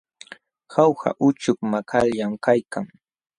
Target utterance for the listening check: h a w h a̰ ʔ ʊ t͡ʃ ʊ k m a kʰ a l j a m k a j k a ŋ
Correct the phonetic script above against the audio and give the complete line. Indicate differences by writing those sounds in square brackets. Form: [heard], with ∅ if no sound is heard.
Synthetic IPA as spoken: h a w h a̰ ʔ ʊ t͡ʃ ʊ k m a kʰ a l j a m k a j k a ŋ